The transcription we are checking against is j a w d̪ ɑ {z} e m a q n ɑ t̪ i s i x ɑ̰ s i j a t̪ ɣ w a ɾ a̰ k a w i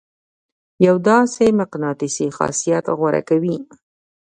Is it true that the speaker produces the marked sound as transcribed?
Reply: no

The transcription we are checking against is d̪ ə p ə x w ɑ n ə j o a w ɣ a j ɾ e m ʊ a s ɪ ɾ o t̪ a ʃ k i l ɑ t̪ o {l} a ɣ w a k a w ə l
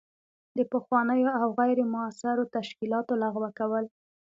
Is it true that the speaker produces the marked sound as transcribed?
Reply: yes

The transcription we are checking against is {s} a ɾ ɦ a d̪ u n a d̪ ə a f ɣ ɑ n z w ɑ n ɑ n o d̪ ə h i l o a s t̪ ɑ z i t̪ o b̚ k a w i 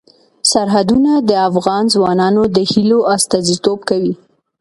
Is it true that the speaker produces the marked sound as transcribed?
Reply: yes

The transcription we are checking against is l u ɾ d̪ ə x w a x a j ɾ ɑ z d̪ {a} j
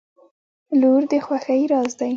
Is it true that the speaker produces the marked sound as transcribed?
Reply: yes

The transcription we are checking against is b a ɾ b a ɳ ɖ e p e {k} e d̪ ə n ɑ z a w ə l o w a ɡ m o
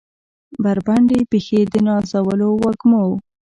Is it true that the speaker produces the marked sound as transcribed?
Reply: no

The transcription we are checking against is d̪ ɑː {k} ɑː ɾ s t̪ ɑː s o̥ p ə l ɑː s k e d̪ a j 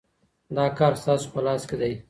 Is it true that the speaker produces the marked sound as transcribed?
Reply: yes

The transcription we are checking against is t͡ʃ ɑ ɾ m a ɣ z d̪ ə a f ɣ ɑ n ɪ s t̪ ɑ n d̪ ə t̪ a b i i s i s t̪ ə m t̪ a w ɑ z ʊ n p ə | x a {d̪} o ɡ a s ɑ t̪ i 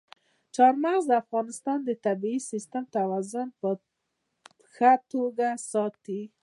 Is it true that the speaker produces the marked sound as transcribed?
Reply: no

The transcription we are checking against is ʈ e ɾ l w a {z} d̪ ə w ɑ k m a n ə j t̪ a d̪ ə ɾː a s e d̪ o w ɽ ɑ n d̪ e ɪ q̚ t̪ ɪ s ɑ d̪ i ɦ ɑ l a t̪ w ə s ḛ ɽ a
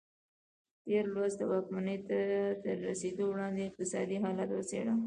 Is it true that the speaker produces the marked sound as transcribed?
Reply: yes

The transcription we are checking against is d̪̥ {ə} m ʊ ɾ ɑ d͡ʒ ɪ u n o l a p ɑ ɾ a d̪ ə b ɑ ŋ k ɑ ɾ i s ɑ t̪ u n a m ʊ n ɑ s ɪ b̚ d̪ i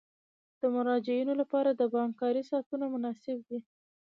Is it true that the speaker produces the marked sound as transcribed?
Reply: yes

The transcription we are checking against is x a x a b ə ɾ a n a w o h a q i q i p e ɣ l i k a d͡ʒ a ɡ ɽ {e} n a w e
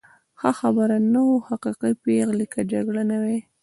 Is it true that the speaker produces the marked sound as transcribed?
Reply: no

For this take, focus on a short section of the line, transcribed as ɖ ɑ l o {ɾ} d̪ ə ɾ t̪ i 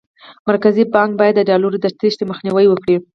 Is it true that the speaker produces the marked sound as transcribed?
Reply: yes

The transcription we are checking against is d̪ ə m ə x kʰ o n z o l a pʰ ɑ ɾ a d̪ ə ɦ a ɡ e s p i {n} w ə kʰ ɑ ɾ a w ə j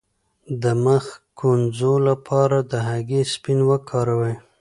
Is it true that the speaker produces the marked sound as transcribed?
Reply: yes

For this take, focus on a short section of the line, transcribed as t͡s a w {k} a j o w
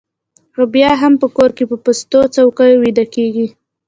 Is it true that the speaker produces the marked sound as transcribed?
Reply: yes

